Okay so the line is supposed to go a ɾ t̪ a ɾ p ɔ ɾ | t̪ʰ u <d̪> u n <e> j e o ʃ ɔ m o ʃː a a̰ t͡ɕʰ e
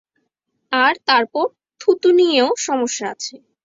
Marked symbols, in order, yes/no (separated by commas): no, no